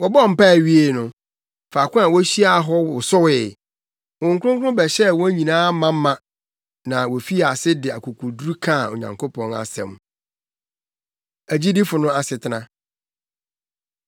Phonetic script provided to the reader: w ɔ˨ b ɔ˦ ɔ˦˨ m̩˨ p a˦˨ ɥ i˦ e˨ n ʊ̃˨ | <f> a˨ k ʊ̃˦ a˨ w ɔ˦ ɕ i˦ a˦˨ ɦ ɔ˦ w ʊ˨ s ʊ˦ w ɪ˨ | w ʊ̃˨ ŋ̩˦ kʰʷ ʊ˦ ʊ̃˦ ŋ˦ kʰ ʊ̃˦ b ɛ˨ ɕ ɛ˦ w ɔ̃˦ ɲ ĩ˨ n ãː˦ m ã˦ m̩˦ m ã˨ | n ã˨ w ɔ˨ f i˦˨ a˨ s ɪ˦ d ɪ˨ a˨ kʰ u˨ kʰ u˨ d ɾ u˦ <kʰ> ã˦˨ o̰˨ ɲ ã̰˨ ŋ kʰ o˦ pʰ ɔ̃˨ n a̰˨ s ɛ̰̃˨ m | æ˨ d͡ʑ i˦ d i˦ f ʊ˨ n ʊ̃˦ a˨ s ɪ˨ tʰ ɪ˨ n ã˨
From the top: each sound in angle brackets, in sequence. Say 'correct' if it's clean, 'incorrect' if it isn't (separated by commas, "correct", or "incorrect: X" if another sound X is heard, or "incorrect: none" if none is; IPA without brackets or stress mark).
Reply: correct, correct